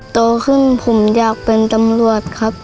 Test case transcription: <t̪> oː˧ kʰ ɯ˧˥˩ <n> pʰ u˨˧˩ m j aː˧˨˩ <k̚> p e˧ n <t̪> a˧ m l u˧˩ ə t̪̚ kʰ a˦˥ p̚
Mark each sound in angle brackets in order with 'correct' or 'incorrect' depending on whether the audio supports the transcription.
correct, correct, correct, correct

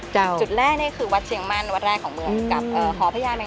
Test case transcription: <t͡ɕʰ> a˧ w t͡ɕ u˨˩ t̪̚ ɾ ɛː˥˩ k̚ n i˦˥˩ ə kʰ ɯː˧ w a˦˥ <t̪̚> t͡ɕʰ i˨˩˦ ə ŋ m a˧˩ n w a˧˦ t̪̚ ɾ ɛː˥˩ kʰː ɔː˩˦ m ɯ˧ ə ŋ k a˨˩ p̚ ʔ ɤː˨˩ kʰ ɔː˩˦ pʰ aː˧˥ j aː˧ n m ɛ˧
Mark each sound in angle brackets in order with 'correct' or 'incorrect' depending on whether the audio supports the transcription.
incorrect: t͡ɕ, correct

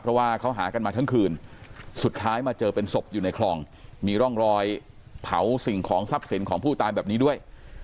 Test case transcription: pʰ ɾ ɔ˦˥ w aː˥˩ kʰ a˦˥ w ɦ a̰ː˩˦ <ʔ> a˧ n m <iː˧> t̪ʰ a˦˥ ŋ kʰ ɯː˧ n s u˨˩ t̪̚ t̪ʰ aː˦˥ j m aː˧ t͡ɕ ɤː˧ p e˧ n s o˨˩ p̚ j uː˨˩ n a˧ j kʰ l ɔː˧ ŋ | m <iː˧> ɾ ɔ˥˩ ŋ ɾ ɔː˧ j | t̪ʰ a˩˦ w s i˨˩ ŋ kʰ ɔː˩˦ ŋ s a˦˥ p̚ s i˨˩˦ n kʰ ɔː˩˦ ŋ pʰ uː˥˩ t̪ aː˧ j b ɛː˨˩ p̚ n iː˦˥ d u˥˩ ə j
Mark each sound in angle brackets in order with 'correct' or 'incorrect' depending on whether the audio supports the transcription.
incorrect: k, incorrect: aː˧, correct

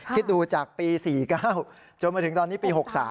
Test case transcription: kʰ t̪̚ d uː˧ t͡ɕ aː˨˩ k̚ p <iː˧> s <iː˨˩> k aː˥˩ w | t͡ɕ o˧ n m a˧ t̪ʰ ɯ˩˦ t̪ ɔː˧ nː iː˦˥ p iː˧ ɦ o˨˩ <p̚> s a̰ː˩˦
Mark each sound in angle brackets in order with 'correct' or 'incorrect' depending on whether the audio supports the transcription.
correct, correct, incorrect: k̚

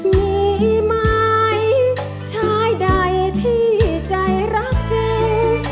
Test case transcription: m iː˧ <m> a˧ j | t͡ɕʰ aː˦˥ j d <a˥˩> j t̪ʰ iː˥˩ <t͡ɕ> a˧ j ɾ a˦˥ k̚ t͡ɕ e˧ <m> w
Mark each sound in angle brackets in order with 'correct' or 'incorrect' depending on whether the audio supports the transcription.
correct, incorrect: a˧˩, correct, incorrect: none

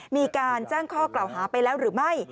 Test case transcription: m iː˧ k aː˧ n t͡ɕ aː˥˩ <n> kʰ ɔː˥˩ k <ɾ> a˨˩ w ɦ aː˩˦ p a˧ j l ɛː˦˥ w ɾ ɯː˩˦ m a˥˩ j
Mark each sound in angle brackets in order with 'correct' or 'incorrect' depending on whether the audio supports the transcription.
incorrect: ŋ, incorrect: l

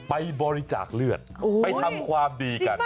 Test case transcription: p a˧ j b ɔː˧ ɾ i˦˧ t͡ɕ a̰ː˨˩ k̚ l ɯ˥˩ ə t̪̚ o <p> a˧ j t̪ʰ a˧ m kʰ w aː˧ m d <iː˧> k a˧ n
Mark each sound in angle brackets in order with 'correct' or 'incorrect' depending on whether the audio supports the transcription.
correct, correct

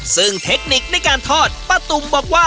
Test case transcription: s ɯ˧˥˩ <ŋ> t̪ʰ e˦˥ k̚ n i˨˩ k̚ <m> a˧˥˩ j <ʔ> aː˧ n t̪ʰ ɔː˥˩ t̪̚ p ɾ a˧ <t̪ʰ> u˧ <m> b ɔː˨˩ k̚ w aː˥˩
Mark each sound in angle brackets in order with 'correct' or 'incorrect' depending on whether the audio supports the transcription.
correct, incorrect: n, incorrect: k, incorrect: t̪, correct

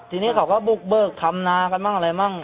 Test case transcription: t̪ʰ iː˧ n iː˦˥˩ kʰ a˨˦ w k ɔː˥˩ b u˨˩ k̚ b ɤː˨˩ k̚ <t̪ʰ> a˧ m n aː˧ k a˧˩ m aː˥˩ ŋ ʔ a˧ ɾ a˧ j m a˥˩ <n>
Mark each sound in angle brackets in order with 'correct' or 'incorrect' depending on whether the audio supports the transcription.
correct, incorrect: ŋ

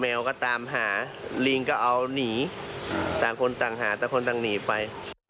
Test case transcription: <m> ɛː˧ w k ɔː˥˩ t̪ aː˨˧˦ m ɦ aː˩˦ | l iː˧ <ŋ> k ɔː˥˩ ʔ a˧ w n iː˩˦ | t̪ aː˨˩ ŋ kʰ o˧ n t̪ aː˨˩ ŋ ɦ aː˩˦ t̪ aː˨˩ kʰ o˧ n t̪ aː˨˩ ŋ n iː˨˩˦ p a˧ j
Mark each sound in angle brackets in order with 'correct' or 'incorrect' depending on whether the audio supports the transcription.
correct, correct

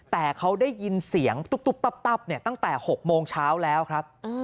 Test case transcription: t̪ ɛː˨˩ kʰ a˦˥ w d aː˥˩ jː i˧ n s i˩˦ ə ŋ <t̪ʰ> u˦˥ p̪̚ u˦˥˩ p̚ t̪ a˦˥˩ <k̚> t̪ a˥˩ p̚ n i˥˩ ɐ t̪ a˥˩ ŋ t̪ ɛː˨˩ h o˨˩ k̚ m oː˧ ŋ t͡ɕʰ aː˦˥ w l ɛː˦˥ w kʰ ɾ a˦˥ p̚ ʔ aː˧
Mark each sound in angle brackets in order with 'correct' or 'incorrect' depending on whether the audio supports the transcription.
incorrect: t̪, incorrect: p̚

